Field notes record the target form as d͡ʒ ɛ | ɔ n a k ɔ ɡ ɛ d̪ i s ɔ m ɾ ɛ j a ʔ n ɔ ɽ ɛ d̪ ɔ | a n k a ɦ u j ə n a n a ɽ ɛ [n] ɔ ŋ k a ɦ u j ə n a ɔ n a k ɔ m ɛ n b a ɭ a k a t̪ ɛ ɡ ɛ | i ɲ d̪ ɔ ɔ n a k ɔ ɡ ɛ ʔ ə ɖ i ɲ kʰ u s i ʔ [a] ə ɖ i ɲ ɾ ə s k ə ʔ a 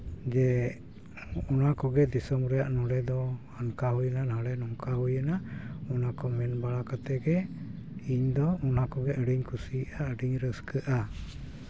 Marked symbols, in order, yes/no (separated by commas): yes, yes